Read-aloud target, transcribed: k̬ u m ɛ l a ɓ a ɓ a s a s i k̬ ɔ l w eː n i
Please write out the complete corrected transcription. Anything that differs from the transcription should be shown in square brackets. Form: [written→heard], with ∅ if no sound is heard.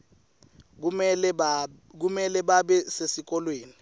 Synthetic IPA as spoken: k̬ u m ɛ l [a→ɛ] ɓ a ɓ [a→ɛ] s [a→e] s i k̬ ɔ l w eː n i